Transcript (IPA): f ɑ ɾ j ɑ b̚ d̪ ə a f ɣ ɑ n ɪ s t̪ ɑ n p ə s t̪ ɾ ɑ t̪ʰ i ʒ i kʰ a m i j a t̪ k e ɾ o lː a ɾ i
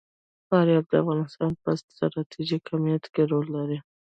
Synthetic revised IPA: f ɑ ɾ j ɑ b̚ d̪ ə a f ɣ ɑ n ɪ s t̪ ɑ n p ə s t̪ ɾ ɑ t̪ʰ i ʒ i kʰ a m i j a t̪ k e ɾ o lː a ɾ i